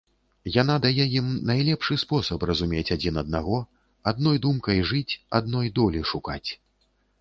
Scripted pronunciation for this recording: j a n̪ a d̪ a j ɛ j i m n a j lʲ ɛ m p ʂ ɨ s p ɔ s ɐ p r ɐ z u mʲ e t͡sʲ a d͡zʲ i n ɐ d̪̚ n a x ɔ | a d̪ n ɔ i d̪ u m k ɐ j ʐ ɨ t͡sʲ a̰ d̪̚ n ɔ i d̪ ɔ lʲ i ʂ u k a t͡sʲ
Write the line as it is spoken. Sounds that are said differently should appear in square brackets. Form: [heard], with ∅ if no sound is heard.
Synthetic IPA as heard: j a n̪ a d̪ a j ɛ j i m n a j lʲ ɛ [∅] p ʂ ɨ s p ɔ s ɐ p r ɐ z u mʲ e t͡sʲ a d͡zʲ i n ɐ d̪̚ n a [ɣ] ɔ | a d̪ n ɔ [j] d̪ u m k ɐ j ʐ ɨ t͡sʲ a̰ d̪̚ n ɔ [j] d̪ ɔ lʲ i ʂ u k a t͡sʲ